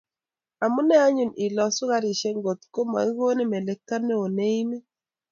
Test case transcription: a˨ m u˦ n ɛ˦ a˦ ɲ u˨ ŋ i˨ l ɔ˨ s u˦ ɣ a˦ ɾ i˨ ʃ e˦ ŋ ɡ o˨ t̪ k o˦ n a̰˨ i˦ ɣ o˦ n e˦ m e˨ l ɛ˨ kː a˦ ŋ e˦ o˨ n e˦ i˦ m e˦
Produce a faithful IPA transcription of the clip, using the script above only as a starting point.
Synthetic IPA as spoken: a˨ m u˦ n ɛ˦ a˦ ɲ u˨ n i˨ l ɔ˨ s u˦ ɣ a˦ ɾ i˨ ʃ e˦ ŋ ɡ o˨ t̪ k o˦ m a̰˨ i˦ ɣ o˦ n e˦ m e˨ l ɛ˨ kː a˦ n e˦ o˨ n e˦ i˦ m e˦

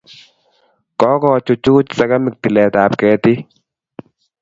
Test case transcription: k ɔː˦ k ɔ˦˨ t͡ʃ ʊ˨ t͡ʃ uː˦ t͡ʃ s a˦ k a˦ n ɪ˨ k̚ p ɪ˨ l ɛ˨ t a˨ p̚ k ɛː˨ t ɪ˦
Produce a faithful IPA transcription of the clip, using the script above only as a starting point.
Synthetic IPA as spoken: k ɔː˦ k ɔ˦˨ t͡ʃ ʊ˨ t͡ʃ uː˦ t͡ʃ s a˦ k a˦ m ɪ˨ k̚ t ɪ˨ l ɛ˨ t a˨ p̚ k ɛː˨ t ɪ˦

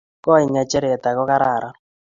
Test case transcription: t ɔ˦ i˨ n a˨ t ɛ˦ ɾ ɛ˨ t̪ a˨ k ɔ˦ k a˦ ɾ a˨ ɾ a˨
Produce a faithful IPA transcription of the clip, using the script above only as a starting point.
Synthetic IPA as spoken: k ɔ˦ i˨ ɲ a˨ t͡ʃ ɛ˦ ɾ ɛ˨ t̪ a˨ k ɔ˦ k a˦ ɾ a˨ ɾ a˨

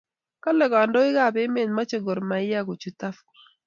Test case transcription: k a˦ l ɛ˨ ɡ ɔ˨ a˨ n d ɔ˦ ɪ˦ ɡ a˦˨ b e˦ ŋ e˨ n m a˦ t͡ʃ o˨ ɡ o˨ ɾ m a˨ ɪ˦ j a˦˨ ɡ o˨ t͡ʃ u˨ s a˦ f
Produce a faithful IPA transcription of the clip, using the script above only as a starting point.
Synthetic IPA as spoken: k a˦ l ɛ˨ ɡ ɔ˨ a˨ n d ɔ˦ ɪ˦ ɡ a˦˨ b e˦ m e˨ n m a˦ t͡ʃ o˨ ɡ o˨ ɾ m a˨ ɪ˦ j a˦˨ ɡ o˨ t͡ʃ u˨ t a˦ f

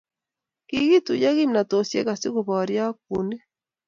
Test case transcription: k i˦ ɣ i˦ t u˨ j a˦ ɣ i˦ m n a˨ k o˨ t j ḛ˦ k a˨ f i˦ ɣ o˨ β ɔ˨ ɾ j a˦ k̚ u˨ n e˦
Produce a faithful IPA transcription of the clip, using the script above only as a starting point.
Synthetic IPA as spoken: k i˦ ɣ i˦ t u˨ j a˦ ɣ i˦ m n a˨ t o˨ s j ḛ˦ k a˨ s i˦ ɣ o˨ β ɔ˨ ɾ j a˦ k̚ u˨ n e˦

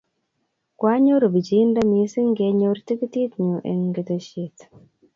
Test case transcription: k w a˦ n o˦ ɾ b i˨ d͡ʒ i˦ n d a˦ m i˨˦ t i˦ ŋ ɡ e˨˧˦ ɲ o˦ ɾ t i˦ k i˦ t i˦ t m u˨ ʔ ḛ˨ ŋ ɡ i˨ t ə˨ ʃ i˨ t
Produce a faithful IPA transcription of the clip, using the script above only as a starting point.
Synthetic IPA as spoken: k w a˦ ɲ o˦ ɾ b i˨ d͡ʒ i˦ n d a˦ m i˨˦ s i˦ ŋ ɡ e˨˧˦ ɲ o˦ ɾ t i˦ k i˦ t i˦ t ɲ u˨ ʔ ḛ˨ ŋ ɡ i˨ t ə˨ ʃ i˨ t

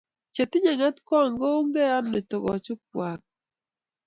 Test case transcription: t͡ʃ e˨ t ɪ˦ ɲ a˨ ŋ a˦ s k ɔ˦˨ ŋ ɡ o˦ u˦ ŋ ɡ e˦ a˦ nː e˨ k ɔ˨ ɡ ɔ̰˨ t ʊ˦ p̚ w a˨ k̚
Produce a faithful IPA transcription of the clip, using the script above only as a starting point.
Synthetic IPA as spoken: t͡ʃ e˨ t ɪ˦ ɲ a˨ ŋ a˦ t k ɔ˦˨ ŋ ɡ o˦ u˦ ŋ ɡ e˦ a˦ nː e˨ t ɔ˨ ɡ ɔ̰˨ t͡ʃ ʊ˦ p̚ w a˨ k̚

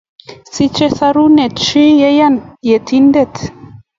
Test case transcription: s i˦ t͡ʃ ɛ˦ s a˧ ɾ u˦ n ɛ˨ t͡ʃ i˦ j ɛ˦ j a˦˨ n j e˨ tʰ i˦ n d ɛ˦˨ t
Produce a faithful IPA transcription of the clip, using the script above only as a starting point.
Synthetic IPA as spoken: s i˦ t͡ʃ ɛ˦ s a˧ ɾ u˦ n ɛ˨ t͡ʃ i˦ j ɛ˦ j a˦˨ n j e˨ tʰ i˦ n d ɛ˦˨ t

